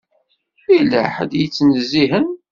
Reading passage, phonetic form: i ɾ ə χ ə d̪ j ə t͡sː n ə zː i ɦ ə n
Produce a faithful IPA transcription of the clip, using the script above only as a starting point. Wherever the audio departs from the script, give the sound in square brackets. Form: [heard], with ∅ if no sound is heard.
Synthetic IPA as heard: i [l] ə [ħ] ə d̪ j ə t͡sː n ə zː i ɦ ə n